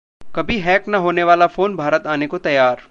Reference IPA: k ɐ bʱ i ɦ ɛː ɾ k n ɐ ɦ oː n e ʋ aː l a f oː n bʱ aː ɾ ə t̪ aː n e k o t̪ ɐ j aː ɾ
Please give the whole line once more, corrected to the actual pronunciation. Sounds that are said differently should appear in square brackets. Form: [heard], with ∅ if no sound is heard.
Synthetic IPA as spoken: k ɐ bʱ i ɦ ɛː [∅] k n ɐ ɦ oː n e ʋ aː l a f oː n bʱ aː ɾ ə t̪ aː n e k o t̪ ɐ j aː ɾ